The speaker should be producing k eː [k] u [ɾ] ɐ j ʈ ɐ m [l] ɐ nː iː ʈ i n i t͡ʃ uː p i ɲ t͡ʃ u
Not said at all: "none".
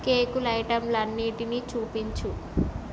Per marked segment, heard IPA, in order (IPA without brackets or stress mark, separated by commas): k, l, l